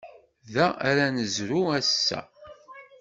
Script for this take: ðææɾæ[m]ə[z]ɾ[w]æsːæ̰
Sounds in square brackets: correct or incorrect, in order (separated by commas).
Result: incorrect, correct, incorrect